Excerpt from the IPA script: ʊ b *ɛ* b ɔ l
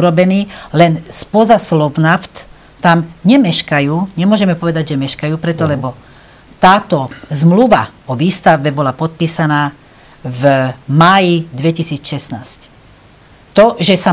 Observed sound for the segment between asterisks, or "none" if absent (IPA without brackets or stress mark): ɛ